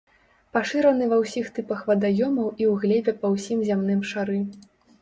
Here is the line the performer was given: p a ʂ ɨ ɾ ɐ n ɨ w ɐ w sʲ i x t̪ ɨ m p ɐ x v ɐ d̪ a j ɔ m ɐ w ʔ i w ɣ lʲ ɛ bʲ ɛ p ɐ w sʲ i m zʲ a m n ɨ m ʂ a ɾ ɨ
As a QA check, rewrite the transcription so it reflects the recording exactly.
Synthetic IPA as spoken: p a ʂ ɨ ɾ ɐ n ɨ v ɐ w sʲ i x t̪ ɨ p ɐ x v ɐ d̪ a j ɔ m ɐ w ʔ i w ɣ lʲ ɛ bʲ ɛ p ɐ w sʲ i m zʲ a m n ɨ m ʂ a ɾ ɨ

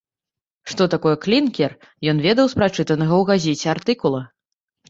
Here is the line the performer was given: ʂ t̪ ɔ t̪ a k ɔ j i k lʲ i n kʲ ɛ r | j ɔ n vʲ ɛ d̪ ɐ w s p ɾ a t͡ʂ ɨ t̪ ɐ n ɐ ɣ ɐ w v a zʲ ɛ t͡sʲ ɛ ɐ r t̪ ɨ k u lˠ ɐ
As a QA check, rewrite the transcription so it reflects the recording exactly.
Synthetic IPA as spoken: ʂ t̪ ɔ t̪ a k ɔ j ɛ k lʲ i n kʲ ɛ r | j ɔ n vʲ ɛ d̪ ɐ w s p ɾ a t͡ʂ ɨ t̪ ɐ n ɐ ɣ ɐ w ɣ a zʲ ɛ t͡sʲ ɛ a r t̪ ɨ k u lˠ ɐ

